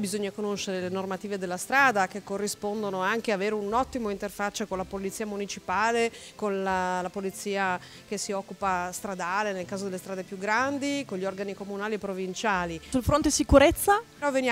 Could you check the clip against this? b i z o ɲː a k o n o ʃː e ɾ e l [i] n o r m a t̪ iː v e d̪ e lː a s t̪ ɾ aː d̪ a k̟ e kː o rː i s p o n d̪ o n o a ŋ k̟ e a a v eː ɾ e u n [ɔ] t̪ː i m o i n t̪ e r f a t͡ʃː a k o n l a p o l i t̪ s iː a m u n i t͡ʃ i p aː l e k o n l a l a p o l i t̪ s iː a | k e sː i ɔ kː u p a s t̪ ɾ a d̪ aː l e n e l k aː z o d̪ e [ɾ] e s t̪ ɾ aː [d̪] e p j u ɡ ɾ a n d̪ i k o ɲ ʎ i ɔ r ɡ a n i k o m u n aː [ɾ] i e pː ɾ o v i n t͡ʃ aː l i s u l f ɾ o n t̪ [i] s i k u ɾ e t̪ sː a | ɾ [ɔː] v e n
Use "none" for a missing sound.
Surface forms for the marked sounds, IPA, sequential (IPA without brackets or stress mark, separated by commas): e, ɔ, l, d̪, l, e, ɔ